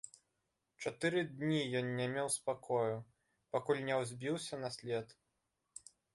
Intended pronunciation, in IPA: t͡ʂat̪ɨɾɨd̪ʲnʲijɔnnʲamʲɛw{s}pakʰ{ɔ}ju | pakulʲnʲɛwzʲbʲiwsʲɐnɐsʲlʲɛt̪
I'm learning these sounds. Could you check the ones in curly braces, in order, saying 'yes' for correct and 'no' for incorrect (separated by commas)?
yes, yes